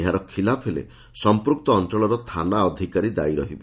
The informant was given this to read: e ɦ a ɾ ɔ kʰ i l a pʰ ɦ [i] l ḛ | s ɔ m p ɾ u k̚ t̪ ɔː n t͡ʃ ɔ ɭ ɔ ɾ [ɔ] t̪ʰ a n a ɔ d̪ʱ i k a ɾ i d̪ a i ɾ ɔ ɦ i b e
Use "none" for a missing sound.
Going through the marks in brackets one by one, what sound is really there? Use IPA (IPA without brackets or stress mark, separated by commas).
e, ɔ